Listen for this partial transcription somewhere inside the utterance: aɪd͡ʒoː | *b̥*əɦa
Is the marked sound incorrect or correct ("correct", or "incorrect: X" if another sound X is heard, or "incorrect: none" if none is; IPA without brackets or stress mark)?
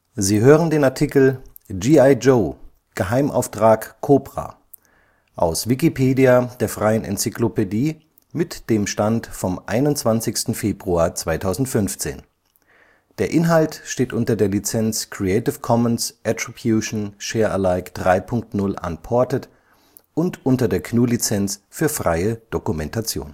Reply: incorrect: ɡ̥